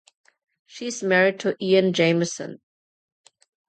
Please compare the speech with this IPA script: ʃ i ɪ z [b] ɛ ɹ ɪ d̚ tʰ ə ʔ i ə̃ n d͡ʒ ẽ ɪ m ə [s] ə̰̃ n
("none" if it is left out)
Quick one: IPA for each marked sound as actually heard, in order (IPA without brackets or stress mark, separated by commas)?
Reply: m, s